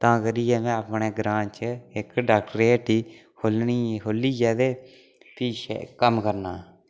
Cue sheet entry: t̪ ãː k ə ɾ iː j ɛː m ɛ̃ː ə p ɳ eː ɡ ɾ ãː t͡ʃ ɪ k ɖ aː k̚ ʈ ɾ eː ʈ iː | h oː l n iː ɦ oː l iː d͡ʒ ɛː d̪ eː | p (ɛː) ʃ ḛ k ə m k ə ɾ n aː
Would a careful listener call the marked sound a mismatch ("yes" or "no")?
yes